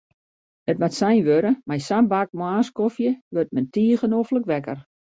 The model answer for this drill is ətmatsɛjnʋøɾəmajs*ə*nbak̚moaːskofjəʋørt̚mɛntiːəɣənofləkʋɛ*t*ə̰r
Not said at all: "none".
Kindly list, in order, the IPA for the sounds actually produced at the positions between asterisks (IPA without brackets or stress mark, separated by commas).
a, k